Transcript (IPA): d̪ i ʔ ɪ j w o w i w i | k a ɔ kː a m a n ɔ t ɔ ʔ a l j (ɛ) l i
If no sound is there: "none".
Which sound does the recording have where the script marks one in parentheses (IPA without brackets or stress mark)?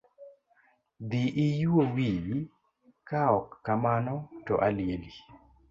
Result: e